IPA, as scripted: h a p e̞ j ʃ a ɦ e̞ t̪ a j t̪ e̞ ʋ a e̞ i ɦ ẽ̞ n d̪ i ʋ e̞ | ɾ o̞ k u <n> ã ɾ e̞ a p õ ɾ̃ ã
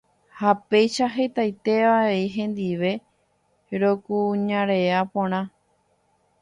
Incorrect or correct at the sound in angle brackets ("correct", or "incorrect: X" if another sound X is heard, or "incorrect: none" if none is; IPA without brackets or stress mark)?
incorrect: ɲ